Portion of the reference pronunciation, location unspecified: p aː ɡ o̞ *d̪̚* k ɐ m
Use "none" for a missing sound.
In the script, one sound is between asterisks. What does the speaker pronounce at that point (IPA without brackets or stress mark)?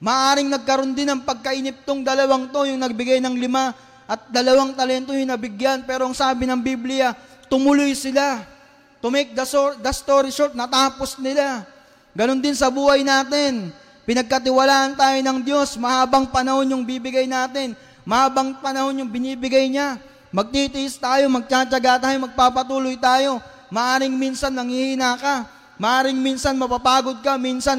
d̪̚